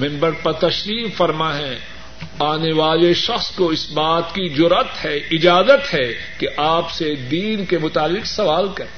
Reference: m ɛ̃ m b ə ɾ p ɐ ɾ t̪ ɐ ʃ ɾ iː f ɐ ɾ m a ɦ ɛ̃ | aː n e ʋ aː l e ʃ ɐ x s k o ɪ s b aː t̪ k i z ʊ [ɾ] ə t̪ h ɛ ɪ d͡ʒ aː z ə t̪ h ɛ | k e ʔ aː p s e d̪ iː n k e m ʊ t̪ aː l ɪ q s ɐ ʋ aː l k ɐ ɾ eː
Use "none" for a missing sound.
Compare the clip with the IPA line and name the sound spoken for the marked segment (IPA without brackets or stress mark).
ɾ